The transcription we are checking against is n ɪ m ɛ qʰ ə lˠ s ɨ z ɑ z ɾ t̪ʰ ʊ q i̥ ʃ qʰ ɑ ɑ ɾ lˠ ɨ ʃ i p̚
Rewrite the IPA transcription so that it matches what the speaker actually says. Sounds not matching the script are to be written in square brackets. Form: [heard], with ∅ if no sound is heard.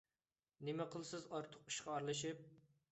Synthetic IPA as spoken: n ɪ m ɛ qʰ ə lˠ s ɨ z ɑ [∅] ɾ t̪ʰ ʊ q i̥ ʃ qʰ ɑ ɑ ɾ lˠ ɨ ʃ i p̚